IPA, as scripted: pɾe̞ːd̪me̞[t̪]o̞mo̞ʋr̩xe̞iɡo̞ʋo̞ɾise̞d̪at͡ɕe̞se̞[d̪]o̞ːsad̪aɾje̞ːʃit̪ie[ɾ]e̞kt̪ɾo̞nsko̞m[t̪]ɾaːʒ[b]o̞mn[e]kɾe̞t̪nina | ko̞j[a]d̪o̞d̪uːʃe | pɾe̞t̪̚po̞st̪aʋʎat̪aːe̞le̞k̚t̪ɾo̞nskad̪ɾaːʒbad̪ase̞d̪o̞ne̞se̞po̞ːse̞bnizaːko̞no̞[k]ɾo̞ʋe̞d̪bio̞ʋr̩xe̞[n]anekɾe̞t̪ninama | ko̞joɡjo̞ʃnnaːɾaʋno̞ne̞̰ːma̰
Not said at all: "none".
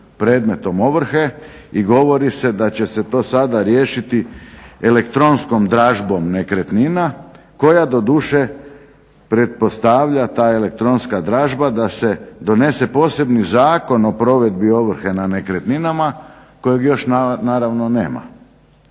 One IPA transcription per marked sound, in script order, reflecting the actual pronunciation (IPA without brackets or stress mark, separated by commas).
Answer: t̪, t̪, l, d̪, b, e, a, p, n